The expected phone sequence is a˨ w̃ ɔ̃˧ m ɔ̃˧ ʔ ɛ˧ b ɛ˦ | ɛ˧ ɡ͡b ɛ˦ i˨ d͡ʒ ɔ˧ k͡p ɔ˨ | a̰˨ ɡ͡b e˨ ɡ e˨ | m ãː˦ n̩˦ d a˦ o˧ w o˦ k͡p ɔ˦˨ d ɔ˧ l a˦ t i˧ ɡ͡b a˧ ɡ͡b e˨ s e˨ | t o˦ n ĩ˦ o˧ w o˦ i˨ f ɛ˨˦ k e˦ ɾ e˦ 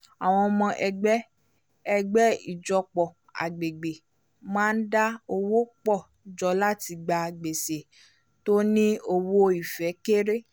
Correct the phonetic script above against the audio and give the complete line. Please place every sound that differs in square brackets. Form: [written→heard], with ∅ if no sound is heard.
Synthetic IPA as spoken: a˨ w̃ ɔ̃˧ m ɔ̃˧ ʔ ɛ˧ [b→ɡ͡b] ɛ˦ | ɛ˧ ɡ͡b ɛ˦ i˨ d͡ʒ ɔ˧ k͡p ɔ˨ | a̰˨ ɡ͡b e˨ [ɡ→ɡ͡b] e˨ | m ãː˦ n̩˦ d a˦ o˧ w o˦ k͡p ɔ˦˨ [d→d͡ʒ] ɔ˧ l a˦ t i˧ ɡ͡b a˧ ɡ͡b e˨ s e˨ | t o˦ n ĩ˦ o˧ w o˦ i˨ f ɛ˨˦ k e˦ ɾ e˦